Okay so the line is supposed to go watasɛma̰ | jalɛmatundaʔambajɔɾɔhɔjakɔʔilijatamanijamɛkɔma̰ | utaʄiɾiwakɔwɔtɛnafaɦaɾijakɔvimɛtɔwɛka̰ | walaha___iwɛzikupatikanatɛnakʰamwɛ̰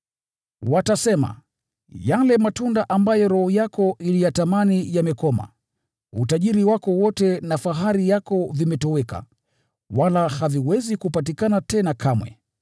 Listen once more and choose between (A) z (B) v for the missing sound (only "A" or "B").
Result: B